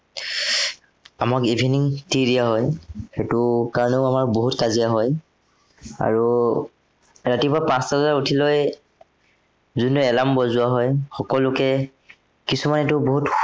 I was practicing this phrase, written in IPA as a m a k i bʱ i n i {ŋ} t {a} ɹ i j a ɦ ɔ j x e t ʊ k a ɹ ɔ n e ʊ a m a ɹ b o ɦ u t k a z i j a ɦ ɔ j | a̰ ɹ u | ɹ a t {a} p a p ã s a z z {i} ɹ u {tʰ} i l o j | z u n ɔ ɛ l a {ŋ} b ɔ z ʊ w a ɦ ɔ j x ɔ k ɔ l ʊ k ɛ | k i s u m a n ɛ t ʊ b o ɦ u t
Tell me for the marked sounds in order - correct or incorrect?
correct, incorrect, incorrect, incorrect, correct, incorrect

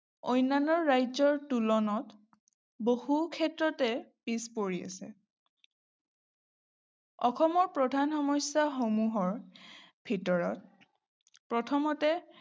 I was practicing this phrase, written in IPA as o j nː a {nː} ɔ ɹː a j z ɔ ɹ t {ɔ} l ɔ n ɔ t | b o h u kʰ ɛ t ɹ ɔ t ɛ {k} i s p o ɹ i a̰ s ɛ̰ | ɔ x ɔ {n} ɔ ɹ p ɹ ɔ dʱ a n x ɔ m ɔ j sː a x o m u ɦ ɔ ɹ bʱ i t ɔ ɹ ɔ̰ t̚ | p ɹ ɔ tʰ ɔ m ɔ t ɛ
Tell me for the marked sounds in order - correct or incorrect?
incorrect, incorrect, incorrect, incorrect

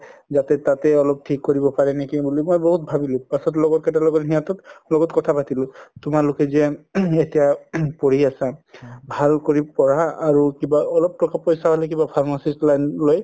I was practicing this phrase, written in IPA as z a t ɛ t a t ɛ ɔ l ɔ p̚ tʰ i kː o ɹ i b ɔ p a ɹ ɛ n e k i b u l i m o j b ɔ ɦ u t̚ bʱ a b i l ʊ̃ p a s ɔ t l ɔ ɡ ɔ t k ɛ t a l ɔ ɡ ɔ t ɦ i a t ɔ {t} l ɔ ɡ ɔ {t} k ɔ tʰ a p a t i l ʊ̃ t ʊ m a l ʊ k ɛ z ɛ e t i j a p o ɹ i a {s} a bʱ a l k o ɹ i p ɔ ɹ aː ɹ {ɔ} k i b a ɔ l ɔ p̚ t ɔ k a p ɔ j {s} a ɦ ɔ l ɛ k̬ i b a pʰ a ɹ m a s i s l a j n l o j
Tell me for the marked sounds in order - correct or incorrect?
correct, correct, correct, incorrect, correct

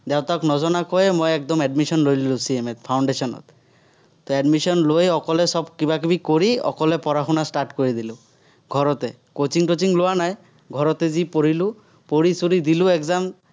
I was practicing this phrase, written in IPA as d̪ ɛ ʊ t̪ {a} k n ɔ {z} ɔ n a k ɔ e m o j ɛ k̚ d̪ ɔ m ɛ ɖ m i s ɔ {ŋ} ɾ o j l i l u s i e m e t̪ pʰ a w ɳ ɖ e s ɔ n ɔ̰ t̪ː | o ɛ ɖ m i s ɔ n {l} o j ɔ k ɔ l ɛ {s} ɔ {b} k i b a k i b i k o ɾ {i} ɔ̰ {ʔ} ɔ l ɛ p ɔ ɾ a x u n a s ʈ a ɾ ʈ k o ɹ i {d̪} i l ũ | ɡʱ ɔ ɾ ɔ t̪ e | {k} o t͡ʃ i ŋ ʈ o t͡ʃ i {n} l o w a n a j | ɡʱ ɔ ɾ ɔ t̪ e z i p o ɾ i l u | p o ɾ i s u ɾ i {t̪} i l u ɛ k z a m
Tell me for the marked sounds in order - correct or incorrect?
correct, correct, incorrect, correct, correct, correct, correct, incorrect, correct, correct, incorrect, incorrect

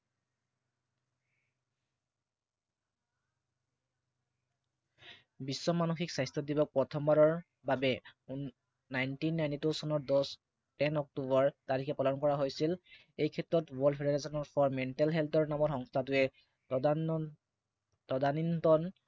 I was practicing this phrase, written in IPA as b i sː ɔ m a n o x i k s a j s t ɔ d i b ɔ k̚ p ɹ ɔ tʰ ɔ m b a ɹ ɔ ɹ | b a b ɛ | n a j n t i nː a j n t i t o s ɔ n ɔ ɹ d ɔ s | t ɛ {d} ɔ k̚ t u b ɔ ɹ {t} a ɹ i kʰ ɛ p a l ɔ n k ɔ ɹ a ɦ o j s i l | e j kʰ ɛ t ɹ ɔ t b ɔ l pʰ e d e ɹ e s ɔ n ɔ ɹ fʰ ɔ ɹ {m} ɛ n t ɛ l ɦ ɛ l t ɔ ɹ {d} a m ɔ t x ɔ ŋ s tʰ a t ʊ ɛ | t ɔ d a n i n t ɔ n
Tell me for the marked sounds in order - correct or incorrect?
incorrect, correct, correct, incorrect

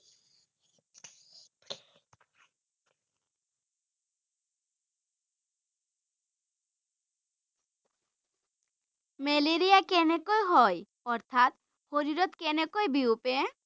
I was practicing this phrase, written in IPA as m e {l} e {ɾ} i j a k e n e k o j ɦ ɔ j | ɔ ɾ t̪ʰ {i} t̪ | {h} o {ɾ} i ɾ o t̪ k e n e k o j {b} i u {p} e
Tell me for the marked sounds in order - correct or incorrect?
correct, correct, incorrect, correct, correct, correct, correct

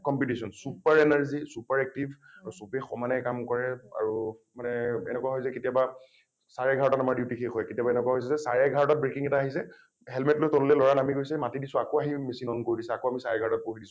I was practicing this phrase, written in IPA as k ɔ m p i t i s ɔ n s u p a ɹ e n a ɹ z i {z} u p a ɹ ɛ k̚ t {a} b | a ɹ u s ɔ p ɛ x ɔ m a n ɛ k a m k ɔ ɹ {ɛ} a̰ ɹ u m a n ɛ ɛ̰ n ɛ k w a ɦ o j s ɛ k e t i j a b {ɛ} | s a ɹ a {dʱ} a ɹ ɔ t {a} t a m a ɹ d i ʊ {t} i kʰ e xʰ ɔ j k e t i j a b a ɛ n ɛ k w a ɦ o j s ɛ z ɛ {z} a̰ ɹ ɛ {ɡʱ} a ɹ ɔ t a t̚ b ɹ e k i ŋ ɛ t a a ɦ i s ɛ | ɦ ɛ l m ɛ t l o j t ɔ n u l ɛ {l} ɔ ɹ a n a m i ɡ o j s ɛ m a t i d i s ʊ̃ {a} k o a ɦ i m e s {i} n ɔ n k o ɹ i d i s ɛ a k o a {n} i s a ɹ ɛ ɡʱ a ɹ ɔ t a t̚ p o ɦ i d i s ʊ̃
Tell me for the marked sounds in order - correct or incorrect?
incorrect, incorrect, correct, incorrect, incorrect, correct, correct, incorrect, correct, correct, correct, correct, incorrect

